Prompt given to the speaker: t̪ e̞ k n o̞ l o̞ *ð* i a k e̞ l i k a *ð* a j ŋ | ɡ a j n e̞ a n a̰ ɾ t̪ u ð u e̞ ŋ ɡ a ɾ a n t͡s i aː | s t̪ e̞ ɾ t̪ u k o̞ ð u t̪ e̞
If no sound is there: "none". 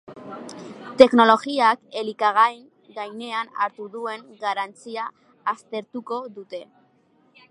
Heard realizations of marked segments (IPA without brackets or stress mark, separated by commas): ɣ, ɣ